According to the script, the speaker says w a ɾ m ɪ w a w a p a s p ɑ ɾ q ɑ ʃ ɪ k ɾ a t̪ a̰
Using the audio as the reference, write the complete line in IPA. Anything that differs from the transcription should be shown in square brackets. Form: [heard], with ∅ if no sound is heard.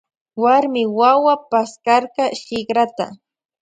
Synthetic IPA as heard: w a ɾ m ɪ w a w a p a s [k] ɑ ɾ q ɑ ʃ ɪ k ɾ a t̪ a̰